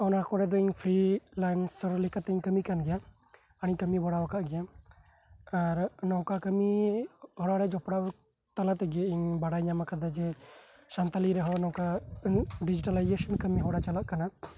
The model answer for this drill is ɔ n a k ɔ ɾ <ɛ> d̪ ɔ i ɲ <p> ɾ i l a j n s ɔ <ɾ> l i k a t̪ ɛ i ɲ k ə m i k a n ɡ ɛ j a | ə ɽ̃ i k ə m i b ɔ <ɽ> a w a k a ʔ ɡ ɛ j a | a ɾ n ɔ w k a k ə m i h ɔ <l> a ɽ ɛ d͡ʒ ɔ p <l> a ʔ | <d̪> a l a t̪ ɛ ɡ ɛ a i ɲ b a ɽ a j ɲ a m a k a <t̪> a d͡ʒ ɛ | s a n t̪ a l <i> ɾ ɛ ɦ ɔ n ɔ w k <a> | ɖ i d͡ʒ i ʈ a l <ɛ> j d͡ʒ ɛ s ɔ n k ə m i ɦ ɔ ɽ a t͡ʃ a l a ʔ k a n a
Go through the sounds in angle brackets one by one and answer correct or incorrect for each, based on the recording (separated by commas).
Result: correct, incorrect, correct, correct, incorrect, incorrect, incorrect, incorrect, correct, correct, incorrect